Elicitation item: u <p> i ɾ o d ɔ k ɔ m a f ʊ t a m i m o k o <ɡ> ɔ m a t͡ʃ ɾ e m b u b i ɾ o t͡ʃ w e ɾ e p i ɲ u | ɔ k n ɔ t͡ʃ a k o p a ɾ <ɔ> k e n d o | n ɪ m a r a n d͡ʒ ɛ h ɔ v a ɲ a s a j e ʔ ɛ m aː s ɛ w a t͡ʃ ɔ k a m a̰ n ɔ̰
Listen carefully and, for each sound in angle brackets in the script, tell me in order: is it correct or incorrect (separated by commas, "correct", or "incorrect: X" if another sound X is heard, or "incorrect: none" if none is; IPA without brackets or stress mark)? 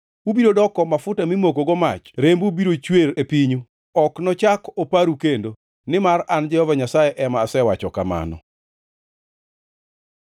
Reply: incorrect: b, correct, incorrect: u